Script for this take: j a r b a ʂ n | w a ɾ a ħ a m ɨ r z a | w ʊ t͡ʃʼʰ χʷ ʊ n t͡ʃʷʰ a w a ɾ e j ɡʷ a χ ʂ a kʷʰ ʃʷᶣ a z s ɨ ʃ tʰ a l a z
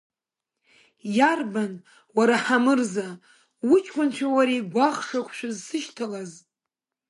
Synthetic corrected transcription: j a r b a n | w a ɾ a ħ a m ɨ r z a | w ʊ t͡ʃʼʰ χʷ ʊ n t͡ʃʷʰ a w a ɾ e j ɡʷ a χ ʂ a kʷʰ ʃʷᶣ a z s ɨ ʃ tʰ a l a z